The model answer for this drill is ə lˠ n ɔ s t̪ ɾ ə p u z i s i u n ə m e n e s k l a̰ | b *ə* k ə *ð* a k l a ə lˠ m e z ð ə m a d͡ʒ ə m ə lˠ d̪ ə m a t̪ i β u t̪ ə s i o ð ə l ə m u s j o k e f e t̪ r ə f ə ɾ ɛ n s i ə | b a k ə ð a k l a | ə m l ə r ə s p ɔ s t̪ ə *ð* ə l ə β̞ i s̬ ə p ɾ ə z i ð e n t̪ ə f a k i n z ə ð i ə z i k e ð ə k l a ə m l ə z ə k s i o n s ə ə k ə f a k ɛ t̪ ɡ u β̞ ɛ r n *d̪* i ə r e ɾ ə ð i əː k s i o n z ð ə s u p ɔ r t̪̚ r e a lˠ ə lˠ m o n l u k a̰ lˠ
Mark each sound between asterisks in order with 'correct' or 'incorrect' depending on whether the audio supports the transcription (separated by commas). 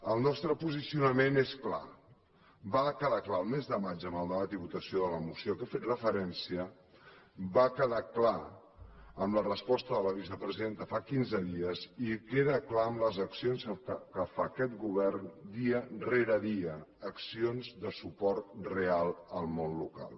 incorrect, correct, correct, correct